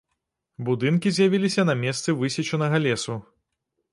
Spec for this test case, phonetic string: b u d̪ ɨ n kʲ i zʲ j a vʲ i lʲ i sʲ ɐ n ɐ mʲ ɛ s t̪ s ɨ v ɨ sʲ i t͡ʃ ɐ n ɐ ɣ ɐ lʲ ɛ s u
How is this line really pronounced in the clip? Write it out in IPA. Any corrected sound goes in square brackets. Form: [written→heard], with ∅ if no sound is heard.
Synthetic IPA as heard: b u d̪ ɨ n kʲ i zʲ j a vʲ i lʲ i sʲ ɐ n ɐ mʲ ɛ s t̪ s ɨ v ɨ sʲ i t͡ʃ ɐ n ɐ ɣ ɐ lʲ ɛ s u